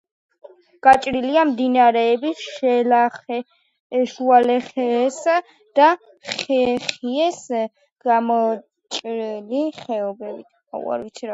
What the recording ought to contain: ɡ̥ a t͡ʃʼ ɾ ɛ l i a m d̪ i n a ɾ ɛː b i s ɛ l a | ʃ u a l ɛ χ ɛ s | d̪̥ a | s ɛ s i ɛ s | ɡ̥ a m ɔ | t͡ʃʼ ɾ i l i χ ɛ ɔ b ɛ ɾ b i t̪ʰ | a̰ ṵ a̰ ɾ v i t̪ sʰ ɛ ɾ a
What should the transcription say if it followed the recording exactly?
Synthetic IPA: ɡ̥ a t͡ʃʼ ɾ i l i a m d̪ i n a ɾ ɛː b i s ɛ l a | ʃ u a l ɛ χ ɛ s | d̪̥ a | χ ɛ χ i ɛ s | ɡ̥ a m ɔ | t͡ʃʼ ɾ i l i χ ɛ ɔ b ɛ b i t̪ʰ | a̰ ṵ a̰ ɾ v i t̪ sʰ i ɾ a